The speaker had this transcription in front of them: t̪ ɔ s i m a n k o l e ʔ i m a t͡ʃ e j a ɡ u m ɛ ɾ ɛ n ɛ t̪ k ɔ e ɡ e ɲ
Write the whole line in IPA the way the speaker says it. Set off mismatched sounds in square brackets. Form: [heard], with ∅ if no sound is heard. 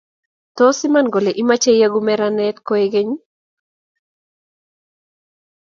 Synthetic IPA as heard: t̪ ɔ s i m a n [ɡ] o l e ʔ i m a t͡ʃ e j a ɡ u m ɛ ɾ [a] n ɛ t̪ k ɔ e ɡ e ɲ